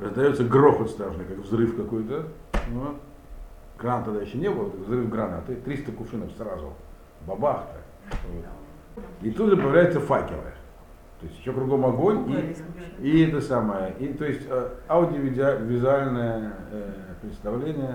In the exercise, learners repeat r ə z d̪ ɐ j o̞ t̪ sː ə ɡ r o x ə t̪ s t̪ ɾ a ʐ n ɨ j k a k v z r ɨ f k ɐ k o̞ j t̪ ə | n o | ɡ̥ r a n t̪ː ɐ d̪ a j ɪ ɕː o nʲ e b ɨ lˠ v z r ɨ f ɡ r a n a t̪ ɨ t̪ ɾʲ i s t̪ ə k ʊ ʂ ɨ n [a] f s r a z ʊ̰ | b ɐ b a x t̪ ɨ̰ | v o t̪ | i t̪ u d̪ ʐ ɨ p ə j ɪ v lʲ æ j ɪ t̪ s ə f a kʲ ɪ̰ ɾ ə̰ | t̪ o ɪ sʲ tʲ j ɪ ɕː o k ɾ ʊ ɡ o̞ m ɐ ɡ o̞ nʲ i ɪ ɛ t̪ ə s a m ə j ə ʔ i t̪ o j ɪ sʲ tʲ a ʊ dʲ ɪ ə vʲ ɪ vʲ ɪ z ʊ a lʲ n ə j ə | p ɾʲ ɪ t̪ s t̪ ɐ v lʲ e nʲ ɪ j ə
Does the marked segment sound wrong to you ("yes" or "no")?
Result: yes